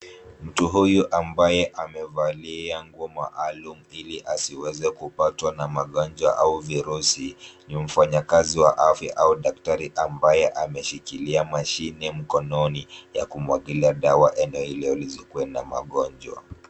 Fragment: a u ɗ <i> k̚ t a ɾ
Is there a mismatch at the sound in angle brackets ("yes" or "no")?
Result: yes